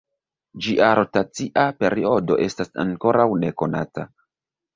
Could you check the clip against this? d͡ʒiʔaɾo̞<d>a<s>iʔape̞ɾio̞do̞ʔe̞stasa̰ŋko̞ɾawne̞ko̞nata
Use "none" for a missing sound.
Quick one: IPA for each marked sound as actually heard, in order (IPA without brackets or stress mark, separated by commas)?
t, t͡s